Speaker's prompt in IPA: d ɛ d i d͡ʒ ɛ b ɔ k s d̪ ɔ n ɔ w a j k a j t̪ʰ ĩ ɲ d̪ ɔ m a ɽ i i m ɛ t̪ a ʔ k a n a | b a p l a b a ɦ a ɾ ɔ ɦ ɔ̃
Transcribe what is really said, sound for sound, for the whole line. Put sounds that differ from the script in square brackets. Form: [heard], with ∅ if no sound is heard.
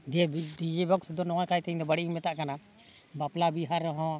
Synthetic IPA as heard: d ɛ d i d͡ʒ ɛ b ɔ k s d̪ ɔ n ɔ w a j k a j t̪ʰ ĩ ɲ d̪ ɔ [b] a ɽ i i m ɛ t̪ a ʔ k a n a | b a p l a b [i] ɦ a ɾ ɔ ɦ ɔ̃